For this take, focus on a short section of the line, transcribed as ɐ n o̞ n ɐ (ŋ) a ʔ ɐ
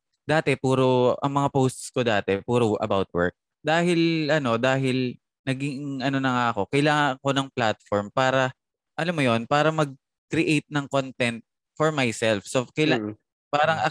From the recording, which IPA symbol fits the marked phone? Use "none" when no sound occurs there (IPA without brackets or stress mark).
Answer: ŋ